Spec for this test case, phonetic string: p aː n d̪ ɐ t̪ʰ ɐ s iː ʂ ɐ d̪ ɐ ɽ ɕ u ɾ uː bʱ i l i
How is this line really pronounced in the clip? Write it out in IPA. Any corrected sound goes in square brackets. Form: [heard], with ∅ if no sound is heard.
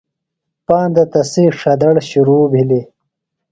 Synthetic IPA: p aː n d̪ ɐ [t̪] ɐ s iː ʂ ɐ d̪ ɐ ɽ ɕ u ɾ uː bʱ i l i